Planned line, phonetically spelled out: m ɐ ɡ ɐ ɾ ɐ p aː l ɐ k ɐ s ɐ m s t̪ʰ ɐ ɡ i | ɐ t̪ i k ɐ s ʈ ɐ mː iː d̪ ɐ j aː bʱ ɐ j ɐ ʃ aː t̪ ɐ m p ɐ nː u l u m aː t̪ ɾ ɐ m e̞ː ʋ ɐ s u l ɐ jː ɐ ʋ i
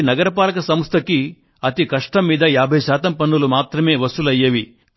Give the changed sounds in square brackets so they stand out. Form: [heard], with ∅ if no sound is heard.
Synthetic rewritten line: [n] ɐ ɡ ɐ ɾ ɐ p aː l ɐ k ɐ s ɐ m s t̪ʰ ɐ [k] i | ɐ t̪ i k ɐ [ʂ] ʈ ɐ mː iː d̪ ɐ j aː bʱ ɐ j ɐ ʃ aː t̪ ɐ m p ɐ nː u l u m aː t̪ ɾ ɐ m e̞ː ʋ ɐ s u l ɐ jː ɐ ʋ i